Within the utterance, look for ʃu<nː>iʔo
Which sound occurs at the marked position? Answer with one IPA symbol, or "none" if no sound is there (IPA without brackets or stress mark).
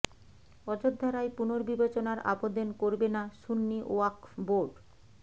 nː